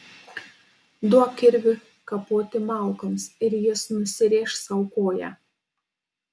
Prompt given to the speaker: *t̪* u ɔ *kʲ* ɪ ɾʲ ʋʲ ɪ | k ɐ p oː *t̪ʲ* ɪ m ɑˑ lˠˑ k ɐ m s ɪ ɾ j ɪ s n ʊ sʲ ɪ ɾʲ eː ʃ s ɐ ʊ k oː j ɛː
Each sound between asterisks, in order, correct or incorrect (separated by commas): incorrect, correct, correct